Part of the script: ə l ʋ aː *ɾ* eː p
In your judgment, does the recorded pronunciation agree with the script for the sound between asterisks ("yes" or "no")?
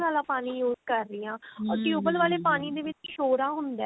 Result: no